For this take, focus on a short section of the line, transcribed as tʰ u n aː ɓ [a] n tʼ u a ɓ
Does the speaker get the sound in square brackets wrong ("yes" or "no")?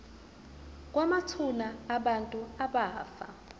no